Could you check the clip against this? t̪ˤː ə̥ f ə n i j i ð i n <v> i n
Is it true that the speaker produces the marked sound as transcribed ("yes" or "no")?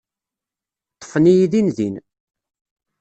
no